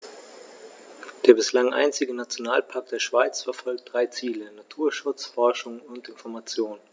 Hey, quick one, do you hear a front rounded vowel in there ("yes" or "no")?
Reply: no